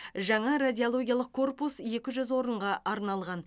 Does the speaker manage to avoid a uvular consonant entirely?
no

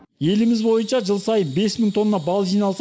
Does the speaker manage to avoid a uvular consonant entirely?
yes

